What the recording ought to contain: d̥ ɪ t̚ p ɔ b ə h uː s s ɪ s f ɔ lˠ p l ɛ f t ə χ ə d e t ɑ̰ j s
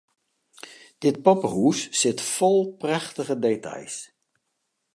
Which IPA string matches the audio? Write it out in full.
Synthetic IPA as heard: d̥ ɪ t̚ p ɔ p ə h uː s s ɪ t f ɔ lˠ p r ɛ χ t ə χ ə d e t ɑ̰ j s